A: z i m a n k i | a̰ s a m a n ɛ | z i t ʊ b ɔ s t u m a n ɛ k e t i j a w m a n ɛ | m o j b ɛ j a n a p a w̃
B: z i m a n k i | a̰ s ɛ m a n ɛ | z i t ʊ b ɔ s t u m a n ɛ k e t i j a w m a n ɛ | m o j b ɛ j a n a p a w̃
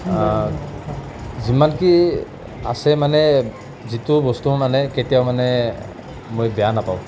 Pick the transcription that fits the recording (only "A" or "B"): B